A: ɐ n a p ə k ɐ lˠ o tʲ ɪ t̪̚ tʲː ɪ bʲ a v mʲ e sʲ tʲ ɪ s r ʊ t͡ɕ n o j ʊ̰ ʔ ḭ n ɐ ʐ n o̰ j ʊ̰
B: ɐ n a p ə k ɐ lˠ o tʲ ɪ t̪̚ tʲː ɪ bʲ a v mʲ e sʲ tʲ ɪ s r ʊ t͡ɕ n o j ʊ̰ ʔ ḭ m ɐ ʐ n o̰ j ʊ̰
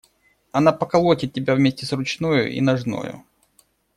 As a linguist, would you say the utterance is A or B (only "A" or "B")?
A